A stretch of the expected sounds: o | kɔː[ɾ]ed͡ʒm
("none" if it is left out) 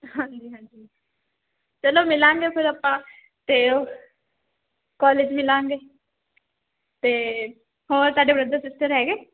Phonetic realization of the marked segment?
l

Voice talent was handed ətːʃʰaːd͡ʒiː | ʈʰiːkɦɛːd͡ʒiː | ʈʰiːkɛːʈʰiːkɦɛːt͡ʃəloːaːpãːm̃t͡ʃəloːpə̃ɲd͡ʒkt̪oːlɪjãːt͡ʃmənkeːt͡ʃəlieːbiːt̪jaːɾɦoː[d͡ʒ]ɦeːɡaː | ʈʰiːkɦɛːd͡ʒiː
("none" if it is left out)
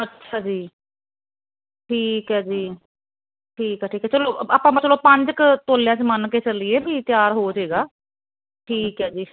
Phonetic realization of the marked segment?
d͡ʒ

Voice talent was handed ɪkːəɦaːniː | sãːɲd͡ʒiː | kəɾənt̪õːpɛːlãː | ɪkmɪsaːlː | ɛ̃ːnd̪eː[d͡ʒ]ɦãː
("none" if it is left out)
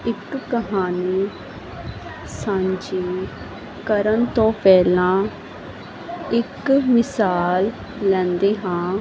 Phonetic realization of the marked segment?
none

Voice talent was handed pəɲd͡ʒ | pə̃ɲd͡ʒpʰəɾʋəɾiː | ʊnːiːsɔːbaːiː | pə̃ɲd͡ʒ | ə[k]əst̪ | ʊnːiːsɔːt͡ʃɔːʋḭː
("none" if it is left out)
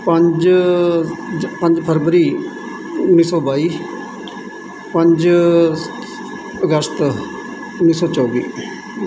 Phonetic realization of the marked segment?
ɡ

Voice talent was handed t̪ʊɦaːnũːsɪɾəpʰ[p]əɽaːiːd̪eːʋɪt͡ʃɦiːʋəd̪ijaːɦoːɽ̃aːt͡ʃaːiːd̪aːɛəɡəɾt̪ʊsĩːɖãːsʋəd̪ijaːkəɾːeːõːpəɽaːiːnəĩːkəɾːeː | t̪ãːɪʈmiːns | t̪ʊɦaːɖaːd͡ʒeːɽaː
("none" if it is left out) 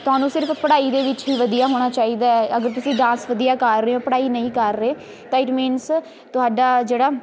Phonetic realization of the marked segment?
p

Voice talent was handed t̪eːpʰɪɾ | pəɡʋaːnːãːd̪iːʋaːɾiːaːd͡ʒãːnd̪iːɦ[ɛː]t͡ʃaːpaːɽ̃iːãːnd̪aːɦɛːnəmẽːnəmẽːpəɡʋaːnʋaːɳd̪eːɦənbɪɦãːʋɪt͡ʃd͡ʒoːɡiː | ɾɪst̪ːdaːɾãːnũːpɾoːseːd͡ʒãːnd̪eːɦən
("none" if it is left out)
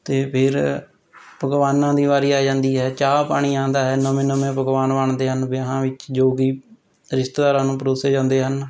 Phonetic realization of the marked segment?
ɛː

